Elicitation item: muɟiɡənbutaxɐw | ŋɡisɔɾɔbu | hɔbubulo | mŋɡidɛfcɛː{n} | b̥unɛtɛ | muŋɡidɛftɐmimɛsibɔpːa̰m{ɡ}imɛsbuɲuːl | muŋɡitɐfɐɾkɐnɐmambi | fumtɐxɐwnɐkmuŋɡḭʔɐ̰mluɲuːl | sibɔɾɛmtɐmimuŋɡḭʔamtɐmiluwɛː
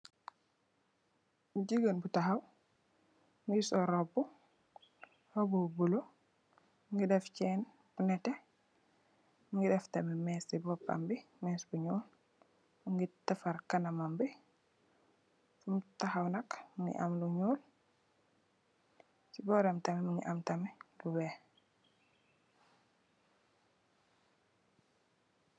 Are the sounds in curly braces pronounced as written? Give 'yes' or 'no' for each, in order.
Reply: yes, no

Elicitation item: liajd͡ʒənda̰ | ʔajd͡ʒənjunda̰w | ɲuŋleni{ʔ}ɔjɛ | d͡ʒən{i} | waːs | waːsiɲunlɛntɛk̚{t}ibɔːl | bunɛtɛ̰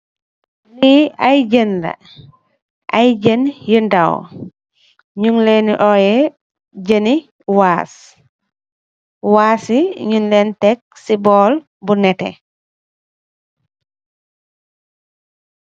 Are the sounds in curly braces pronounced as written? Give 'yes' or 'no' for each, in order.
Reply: yes, yes, no

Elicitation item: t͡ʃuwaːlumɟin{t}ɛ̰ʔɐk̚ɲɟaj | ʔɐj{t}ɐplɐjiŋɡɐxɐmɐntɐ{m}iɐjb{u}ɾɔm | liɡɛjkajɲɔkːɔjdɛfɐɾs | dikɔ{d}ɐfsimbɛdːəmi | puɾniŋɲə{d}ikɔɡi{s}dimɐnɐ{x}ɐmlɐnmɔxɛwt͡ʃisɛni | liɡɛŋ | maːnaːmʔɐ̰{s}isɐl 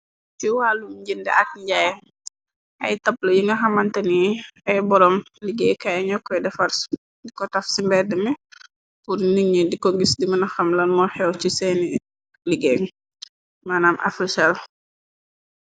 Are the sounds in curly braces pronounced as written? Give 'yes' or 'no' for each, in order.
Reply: no, yes, no, no, no, yes, yes, yes, no

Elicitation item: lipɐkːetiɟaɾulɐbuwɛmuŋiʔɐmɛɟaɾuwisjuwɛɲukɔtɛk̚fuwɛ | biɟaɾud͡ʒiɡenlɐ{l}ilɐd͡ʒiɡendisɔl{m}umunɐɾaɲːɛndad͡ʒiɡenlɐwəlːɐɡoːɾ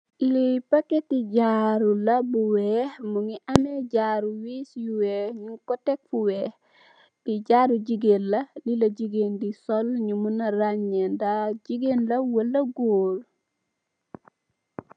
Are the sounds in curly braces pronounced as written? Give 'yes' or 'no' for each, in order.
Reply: yes, no

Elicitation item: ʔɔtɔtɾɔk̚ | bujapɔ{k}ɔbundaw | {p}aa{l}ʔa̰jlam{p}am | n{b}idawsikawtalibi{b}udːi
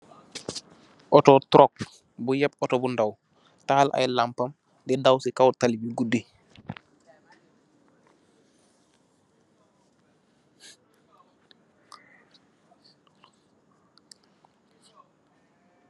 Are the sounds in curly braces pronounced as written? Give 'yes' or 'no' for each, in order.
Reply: no, no, yes, yes, no, no

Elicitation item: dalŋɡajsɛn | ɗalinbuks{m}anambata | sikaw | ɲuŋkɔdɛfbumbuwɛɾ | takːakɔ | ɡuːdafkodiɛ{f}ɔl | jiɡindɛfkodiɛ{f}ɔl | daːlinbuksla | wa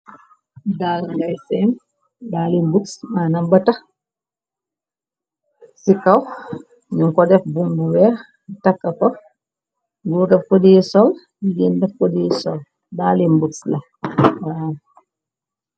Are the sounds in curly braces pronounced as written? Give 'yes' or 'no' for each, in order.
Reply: yes, no, no

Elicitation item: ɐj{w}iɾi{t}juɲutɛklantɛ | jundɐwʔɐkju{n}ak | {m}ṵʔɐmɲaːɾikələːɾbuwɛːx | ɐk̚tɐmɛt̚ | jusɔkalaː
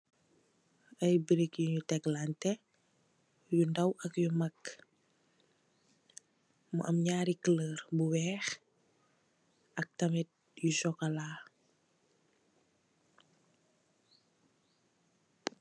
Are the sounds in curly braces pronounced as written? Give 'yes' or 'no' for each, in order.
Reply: no, no, no, yes

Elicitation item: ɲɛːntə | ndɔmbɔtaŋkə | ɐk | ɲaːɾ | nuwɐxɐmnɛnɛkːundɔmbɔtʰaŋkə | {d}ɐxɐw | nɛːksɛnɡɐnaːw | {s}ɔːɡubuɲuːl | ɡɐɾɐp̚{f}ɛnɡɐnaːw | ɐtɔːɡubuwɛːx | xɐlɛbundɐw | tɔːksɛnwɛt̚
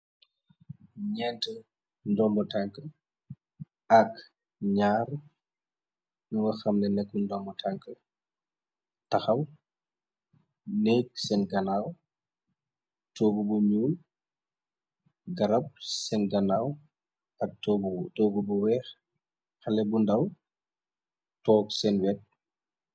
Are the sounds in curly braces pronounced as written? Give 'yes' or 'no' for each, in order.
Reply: no, no, no

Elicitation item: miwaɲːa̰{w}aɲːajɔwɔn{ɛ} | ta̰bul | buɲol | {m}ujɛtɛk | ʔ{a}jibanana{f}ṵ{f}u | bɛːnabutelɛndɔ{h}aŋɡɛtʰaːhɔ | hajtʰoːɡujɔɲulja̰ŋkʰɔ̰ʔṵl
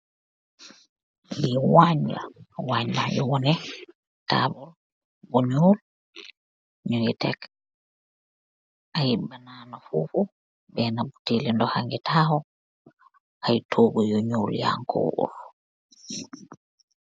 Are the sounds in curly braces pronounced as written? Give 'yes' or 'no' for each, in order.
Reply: yes, yes, no, yes, yes, yes, yes

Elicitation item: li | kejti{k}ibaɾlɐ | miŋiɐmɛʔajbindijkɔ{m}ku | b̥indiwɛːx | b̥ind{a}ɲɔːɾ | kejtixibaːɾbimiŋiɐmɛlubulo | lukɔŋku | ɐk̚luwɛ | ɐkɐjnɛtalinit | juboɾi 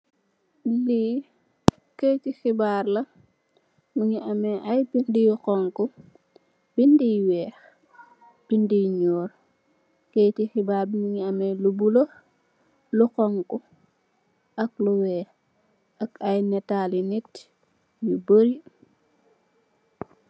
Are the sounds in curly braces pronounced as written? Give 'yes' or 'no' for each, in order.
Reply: no, no, no

